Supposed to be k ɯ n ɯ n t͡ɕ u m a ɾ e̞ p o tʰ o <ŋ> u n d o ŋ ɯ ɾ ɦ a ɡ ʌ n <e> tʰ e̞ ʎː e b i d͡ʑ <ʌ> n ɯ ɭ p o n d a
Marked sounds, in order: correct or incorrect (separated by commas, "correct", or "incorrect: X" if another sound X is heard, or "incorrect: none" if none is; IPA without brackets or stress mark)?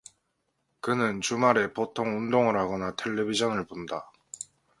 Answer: correct, incorrect: a, correct